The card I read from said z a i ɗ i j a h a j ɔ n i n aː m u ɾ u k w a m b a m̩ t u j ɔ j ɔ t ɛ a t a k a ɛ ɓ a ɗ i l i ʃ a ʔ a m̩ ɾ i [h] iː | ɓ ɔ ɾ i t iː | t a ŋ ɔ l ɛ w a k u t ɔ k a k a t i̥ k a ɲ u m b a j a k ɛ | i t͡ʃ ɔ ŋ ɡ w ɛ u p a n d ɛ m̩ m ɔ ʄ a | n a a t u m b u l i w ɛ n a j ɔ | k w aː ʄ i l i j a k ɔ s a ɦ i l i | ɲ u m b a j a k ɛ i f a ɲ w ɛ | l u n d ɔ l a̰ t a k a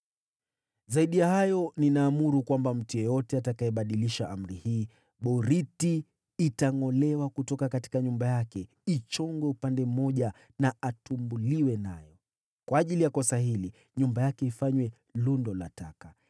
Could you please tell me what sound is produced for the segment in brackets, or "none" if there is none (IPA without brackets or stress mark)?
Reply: h